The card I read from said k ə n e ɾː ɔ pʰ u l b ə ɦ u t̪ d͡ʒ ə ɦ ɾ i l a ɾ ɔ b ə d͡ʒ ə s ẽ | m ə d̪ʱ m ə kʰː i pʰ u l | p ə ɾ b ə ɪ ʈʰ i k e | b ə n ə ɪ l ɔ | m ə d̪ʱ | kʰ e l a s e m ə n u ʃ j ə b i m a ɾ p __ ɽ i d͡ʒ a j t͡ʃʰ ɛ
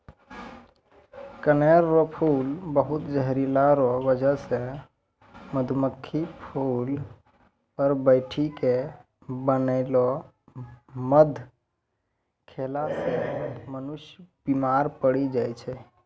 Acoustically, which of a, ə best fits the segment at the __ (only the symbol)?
ə